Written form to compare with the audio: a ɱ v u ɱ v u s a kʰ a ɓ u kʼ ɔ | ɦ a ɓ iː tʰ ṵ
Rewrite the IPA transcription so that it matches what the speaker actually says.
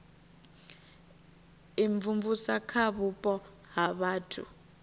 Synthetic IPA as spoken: i ɱ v u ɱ v u s a kʰ a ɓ u pʼ ɔ | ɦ a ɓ aː tʰ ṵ